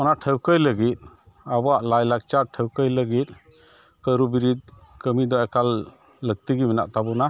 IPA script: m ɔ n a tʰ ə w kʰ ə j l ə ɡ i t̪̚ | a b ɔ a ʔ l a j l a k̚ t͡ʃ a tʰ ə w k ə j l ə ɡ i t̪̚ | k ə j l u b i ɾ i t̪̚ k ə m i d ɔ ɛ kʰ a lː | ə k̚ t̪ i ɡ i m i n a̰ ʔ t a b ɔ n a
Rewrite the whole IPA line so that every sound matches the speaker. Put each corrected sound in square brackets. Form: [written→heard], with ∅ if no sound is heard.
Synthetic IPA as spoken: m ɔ n a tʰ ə w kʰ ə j l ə ɡ i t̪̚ | a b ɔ a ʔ l a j l a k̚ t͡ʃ a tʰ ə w k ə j l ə ɡ i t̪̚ | k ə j [l→ɾ] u b i ɾ i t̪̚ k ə m i d ɔ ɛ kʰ a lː | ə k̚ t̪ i ɡ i m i n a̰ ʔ t a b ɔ n a

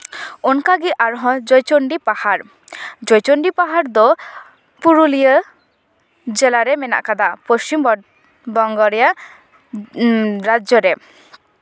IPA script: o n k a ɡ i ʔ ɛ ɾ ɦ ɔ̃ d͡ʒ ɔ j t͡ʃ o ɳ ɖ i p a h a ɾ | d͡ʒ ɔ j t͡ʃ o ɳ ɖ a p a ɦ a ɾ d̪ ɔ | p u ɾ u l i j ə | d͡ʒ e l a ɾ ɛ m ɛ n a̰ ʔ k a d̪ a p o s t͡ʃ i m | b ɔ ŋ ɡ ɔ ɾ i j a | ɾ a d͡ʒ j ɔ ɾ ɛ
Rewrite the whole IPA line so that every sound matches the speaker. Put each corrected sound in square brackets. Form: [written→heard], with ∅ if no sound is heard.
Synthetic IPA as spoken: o n k a ɡ i ʔ [ɛ→a] ɾ ɦ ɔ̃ d͡ʒ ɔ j t͡ʃ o ɳ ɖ i p a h a ɾ | d͡ʒ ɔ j t͡ʃ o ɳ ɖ [a→i] p a ɦ a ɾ d̪ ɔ | p u ɾ u l i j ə | d͡ʒ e l a ɾ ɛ m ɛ n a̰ ʔ k a d̪ a p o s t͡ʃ i m | b ɔ ŋ ɡ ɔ ɾ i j a | ɾ a d͡ʒ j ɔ ɾ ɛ

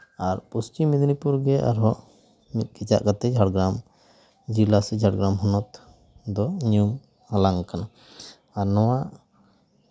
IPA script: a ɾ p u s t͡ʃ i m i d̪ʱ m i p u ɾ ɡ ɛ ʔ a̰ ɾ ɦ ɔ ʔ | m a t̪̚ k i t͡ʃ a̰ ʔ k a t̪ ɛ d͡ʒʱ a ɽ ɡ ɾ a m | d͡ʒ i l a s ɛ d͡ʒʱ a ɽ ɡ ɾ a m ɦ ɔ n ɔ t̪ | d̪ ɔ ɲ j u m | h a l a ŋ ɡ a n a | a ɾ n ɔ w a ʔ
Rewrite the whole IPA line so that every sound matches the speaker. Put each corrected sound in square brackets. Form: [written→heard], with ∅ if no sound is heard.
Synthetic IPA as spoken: a ɾ p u s t͡ʃ i m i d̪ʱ [m→n] i p u ɾ ɡ ɛ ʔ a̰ ɾ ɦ ɔ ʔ | m [a→i] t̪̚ k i t͡ʃ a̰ ʔ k a t̪ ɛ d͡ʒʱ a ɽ ɡ ɾ a m | d͡ʒ i l a s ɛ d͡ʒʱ a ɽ ɡ ɾ a m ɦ ɔ n ɔ t̪ | d̪ ɔ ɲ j u m | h a l a ŋ [ɡ→k] a n a | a ɾ n ɔ w a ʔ

